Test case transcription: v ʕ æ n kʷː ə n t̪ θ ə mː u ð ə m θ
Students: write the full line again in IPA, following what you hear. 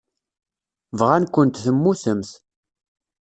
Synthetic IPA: v ʁ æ n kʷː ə n t̪ θ ə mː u θ ə m θ